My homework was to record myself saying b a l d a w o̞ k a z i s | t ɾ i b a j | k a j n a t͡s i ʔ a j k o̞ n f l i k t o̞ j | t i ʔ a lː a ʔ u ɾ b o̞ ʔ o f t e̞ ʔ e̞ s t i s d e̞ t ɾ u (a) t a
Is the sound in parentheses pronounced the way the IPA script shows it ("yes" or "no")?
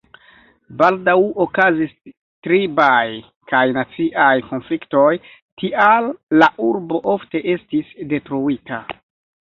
no